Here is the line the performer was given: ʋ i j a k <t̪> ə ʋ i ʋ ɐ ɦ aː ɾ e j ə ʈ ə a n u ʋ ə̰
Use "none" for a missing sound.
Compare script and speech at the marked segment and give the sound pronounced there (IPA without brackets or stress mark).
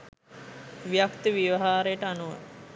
t̪